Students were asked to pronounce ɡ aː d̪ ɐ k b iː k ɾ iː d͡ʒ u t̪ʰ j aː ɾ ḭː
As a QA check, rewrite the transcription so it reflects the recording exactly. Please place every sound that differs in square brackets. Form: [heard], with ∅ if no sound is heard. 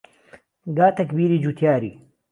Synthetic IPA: ɡ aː [t̪] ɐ k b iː [∅] ɾ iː d͡ʒ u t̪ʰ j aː ɾ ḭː